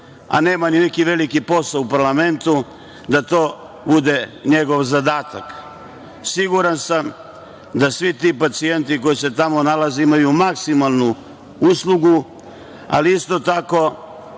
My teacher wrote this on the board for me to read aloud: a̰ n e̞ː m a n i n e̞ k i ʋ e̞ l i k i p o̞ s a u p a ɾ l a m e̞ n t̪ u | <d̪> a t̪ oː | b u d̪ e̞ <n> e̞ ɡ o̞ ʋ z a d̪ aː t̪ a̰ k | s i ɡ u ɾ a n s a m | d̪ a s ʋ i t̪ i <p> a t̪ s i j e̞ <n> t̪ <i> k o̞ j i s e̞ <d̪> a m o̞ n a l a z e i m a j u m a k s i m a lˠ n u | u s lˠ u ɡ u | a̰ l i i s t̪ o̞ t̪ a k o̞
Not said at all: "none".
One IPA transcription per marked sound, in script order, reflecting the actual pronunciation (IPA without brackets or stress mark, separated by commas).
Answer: d̪, ɲ, p, n, i, t̪